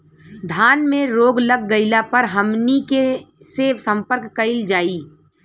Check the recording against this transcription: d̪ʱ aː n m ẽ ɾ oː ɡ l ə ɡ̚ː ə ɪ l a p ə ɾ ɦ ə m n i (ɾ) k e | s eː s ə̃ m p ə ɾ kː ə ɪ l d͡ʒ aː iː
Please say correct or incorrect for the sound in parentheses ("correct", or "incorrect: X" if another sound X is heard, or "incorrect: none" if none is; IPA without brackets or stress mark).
incorrect: none